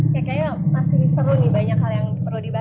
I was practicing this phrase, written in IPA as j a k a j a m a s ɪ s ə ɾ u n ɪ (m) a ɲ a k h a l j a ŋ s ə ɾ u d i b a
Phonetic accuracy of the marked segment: incorrect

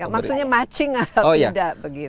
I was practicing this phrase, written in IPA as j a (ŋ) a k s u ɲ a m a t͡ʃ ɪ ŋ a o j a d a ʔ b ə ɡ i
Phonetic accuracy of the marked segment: incorrect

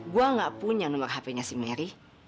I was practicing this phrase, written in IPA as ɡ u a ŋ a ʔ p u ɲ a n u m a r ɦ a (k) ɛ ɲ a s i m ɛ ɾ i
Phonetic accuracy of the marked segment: incorrect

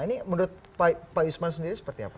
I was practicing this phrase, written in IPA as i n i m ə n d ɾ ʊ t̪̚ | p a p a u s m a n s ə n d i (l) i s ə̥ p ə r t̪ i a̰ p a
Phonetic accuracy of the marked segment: incorrect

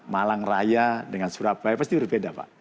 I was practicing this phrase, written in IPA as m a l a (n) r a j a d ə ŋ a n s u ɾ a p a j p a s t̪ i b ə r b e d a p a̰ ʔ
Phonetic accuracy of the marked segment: incorrect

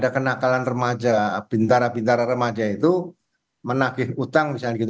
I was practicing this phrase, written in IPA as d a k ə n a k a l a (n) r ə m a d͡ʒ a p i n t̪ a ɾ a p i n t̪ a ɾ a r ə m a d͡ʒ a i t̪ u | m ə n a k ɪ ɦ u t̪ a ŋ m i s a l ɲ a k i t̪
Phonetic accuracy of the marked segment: correct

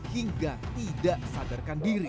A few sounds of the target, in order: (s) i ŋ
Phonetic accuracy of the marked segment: incorrect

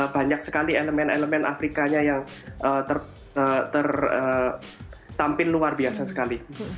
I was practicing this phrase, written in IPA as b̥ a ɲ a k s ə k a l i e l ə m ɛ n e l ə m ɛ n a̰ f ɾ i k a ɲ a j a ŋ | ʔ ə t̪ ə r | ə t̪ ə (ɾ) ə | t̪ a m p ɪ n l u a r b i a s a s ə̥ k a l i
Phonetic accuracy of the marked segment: incorrect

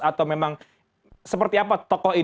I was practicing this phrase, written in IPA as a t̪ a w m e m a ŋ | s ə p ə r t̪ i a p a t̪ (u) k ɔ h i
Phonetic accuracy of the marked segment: incorrect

